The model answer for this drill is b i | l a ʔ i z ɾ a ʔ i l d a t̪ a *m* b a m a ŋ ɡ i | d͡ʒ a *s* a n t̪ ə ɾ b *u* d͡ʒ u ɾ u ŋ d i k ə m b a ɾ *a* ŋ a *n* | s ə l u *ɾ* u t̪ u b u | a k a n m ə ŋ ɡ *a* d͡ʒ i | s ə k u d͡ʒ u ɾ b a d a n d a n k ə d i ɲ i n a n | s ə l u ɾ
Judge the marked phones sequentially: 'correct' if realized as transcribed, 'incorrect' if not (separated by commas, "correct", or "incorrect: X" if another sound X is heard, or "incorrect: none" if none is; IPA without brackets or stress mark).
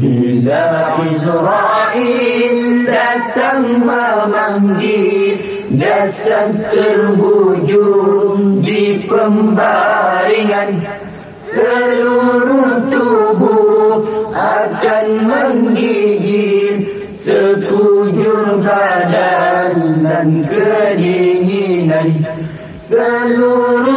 incorrect: ŋ, correct, correct, incorrect: i, correct, correct, incorrect: i